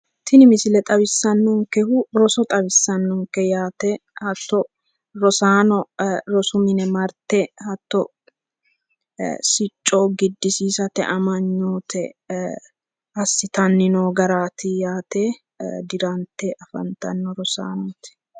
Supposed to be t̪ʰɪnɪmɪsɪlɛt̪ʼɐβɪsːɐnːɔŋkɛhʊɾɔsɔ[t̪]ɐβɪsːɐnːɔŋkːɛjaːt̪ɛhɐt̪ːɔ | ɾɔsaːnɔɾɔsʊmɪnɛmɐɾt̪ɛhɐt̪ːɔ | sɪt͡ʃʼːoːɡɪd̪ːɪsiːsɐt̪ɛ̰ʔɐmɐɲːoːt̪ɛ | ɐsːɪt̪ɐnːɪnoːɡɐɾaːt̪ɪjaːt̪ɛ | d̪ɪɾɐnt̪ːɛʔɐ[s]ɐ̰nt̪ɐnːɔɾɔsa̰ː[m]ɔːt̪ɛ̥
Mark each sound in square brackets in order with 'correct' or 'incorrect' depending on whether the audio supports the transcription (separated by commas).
incorrect, incorrect, incorrect